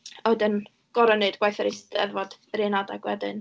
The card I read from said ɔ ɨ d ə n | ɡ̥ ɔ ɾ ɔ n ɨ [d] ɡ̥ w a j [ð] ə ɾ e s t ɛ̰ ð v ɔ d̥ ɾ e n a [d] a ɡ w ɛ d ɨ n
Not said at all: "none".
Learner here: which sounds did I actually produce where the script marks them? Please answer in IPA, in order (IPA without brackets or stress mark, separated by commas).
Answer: d, θ, d